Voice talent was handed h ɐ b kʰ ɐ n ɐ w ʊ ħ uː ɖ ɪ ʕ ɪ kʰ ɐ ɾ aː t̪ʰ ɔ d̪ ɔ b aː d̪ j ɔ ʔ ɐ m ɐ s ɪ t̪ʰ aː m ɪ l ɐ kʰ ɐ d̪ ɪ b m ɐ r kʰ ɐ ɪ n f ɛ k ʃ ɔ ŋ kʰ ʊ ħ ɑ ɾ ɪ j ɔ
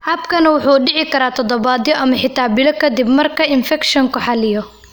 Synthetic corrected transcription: h ɐ b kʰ ɐ n ɐ w ʊ ħ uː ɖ ɪ ʕ ɪ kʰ ɐ ɾ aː t̪ʰ ɔ d̪ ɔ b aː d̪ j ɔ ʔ ɐ m ɐ ħ ɪ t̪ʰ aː b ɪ l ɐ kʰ ɐ d̪ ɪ b m ɐ r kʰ ɐ ɪ n f ɛ k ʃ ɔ ŋ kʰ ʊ ħ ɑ l ɪ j ɔ